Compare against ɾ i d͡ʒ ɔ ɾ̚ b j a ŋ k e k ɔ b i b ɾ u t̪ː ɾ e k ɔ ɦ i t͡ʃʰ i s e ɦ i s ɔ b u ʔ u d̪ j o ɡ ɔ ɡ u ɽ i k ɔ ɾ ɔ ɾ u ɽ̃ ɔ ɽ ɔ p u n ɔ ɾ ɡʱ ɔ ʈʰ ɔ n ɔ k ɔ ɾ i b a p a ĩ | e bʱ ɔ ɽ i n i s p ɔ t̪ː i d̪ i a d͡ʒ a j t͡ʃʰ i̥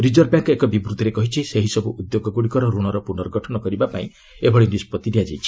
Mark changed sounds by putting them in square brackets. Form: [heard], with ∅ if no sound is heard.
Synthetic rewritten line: ɾ i d͡ʒ ɔ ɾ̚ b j a ŋ k e k ɔ b i b ɾ u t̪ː ɾ e k ɔ ɦ i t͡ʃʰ i s e ɦ i s ɔ b u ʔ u d̪ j o ɡ ɔ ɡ u ɽ i k ɔ ɾ ɔ ɾ u ɽ̃ ɔ [ɾ] ɔ p u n ɔ ɾ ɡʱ ɔ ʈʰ ɔ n ɔ k ɔ ɾ i b a p a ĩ | e bʱ ɔ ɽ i n i s p ɔ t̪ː i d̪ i a d͡ʒ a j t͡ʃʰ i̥